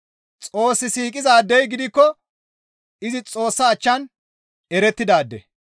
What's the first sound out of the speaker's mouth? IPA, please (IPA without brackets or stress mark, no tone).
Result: t͡sʼ